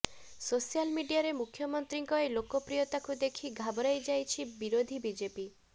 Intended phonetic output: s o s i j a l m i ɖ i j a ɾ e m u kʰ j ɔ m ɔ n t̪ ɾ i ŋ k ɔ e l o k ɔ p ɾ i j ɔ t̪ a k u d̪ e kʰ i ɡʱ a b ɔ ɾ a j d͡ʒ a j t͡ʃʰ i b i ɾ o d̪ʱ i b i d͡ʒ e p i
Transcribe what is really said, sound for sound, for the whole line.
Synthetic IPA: s o s i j a l m i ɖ i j a ɾ e m u kʰ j ɔ m ɔ n t̪ ɾ i ŋ k ɔ e l o k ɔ p ɾ i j ɔ t̪ a k u d̪ e kʰ i ɡʱ a b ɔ ɾ a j d͡ʒ a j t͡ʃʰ i b i ɾ o d̪ʱ i b i d͡ʒ e p i